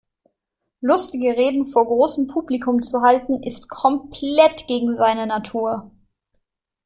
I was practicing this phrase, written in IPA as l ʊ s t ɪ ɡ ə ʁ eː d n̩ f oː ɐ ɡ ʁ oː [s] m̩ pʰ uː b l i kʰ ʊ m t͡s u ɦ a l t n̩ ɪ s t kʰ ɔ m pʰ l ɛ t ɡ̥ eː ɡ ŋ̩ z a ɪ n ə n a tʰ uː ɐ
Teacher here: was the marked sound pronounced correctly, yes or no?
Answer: yes